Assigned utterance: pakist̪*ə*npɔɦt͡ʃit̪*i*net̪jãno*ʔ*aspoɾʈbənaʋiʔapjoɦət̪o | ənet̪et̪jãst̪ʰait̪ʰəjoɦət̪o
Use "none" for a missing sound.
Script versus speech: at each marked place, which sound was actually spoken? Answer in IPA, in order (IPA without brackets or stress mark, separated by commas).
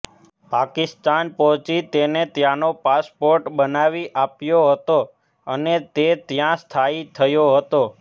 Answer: a, e, p